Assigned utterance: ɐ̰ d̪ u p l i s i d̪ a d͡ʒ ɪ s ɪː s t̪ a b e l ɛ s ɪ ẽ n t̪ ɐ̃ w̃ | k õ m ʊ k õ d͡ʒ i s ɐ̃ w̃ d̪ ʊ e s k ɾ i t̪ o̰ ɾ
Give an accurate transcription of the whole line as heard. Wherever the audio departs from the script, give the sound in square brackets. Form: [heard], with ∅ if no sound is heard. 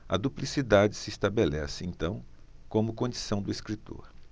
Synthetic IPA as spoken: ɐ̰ d̪ u p l i s i d̪ a d͡ʒ ɪ s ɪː s t̪ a b e l ɛ s ɪ ẽ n t̪ ɐ̃ w̃ | k õ m ʊ k õ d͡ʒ i s ɐ̃ w̃ d̪ ʊ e s k ɾ i t̪ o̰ ɾ